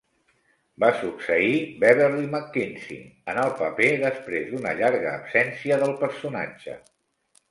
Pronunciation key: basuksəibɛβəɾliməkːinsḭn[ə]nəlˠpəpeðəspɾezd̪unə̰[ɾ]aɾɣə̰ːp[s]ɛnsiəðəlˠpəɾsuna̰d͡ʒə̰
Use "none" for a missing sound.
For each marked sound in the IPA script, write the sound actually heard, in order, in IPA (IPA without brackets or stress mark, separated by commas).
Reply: ə, ʎ, s